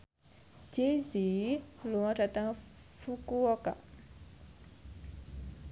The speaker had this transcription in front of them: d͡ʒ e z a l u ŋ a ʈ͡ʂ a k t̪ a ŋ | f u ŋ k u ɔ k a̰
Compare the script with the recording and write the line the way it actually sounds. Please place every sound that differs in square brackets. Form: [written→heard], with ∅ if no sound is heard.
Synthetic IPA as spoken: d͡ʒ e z [a→i] l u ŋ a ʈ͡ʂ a [k→∅] t̪ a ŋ | f u [ŋ→∅] k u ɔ k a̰